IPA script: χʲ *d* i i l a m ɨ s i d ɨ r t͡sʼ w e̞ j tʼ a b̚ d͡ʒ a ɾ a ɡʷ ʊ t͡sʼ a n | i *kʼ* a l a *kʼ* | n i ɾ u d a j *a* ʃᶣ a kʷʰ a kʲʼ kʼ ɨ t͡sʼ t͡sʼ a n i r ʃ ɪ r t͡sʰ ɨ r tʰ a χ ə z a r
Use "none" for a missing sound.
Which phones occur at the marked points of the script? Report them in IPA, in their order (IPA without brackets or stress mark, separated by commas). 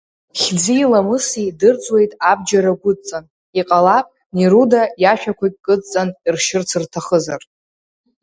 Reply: d͡z, qʼ, pʼ, a